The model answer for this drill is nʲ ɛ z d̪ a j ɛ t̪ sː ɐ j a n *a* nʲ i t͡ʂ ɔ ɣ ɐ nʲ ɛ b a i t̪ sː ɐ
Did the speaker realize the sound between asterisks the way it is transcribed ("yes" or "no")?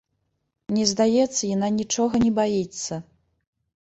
yes